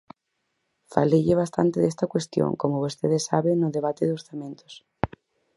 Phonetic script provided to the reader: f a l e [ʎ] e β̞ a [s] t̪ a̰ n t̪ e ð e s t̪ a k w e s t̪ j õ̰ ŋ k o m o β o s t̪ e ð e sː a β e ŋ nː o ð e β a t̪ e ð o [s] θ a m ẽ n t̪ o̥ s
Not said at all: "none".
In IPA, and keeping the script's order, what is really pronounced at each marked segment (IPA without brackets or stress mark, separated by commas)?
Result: ʎ, s, s